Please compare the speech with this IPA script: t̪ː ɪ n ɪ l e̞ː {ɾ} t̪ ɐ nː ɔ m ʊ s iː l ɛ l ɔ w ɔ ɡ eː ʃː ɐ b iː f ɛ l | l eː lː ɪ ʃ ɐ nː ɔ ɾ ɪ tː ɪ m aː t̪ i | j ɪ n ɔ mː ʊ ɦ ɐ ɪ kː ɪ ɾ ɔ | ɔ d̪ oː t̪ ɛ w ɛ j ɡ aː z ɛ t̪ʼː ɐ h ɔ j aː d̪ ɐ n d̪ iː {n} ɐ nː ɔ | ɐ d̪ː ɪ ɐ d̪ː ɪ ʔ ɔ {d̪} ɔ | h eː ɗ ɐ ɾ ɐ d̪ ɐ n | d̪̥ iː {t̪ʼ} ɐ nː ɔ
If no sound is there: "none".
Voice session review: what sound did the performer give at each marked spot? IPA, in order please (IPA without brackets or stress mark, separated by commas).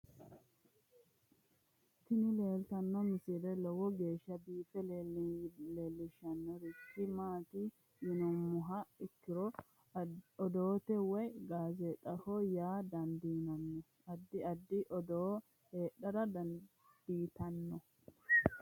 l, n, d̪, t̪